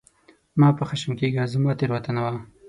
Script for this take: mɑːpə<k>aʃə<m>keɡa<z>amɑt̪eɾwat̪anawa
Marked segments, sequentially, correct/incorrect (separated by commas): incorrect, correct, correct